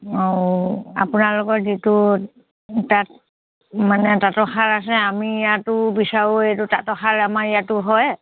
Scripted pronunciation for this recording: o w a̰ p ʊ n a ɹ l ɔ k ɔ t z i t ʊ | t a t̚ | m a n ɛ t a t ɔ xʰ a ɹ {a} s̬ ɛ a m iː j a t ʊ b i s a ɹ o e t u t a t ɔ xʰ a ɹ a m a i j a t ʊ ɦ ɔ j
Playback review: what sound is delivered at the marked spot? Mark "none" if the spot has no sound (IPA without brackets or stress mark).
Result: a